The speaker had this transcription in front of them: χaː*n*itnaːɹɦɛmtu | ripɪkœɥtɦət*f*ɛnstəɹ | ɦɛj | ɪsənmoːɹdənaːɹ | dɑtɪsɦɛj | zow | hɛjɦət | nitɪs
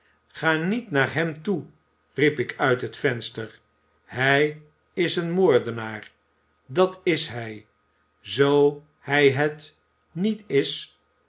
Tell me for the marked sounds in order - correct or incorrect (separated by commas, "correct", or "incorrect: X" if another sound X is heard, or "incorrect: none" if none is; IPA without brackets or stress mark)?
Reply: correct, correct